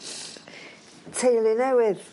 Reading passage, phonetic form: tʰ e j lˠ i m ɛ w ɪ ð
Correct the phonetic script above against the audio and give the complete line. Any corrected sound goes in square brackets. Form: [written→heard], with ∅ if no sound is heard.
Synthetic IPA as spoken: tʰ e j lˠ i [m→n] ɛ w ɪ ð